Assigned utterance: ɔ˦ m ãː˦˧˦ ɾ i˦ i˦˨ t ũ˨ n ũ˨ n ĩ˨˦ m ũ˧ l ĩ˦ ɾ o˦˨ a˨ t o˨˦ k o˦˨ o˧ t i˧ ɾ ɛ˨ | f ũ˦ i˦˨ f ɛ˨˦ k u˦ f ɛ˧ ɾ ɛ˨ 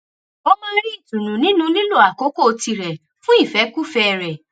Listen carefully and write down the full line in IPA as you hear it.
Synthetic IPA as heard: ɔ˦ m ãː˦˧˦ ɾ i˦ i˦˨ t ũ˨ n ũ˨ n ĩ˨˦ n ũ˧ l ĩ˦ l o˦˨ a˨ k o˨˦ k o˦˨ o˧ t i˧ ɾ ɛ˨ | f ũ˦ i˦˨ f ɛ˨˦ k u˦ f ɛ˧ ɾ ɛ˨